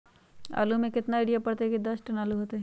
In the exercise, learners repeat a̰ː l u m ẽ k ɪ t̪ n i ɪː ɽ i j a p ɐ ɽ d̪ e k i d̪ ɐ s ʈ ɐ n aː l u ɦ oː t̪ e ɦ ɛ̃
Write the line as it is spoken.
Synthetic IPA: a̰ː l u m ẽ k ɪ t̪ n a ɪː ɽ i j a p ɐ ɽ t̪ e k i d̪ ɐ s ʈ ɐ n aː l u ɦ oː t̪ e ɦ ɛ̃